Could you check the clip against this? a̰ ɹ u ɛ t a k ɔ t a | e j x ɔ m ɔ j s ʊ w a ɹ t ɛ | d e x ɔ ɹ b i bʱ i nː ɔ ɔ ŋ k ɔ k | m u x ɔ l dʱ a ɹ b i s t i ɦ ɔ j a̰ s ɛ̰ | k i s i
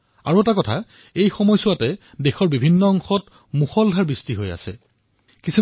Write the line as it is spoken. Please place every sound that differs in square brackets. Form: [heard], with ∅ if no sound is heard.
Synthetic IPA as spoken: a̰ ɹ u ɛ t a k ɔ [tʰ] a | e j x ɔ m ɔ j s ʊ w a [∅] t ɛ | d e x ɔ ɹ b i bʱ i nː ɔ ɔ ŋ [x] ɔ [t] | m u x ɔ l dʱ a ɹ b i s t i ɦ [o] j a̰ s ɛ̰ | k i s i